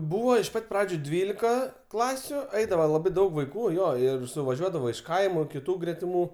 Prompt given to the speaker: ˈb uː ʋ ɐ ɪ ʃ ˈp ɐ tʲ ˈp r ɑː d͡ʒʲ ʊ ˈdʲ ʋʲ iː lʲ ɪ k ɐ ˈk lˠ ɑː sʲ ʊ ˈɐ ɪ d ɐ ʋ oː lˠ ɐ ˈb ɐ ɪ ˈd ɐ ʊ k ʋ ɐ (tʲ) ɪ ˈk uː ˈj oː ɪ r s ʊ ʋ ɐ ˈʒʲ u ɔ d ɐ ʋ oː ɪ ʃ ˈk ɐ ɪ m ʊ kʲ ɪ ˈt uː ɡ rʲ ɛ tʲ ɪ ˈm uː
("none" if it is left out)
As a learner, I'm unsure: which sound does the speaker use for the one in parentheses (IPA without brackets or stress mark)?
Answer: none